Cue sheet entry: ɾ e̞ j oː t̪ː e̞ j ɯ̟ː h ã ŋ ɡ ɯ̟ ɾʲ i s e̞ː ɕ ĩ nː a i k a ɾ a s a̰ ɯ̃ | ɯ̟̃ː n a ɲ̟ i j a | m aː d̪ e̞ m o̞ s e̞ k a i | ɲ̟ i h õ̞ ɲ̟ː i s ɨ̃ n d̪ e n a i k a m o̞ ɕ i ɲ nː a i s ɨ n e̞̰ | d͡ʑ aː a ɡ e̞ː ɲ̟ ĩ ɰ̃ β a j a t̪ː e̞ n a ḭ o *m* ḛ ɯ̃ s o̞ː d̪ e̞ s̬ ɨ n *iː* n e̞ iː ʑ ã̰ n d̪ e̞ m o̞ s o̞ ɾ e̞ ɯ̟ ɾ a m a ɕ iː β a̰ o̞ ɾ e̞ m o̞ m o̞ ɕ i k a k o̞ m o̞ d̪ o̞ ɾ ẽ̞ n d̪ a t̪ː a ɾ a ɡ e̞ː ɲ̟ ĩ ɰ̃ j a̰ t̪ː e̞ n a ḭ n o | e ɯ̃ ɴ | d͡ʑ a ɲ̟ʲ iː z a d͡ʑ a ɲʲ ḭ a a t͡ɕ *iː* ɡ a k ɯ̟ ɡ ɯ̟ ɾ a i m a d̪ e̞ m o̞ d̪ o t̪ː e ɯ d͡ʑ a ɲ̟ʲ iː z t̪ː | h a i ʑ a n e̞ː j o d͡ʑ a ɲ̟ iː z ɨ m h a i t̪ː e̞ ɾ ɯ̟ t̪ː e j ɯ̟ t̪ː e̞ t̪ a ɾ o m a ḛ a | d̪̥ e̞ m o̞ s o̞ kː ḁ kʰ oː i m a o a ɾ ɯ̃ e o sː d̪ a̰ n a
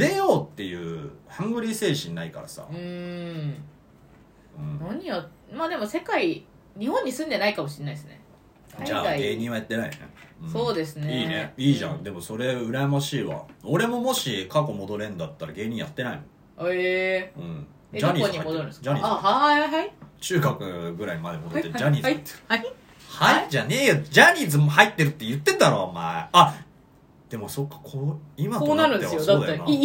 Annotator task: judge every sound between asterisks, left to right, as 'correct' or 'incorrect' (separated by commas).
incorrect, correct, incorrect